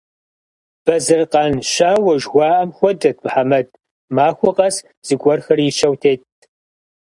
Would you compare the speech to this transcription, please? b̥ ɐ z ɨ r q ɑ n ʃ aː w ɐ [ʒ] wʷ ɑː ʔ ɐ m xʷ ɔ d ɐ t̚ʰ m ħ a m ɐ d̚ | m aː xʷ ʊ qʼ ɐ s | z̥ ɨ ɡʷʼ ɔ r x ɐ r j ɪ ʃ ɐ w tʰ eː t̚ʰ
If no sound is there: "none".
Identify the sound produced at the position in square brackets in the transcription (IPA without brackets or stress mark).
ʒ